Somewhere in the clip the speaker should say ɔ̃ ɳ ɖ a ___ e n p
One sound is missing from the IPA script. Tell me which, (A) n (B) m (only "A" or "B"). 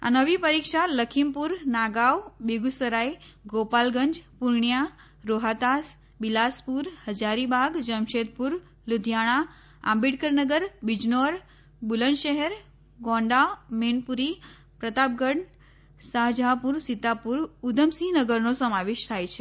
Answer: B